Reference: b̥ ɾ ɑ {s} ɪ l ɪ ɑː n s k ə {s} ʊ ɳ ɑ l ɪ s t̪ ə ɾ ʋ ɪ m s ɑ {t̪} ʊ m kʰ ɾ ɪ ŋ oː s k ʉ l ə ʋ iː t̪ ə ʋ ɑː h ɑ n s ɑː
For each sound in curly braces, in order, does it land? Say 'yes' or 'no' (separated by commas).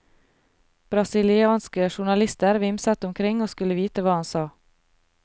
yes, no, yes